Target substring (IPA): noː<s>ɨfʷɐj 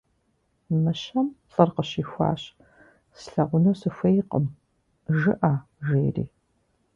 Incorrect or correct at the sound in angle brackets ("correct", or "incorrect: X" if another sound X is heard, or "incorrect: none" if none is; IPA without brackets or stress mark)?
correct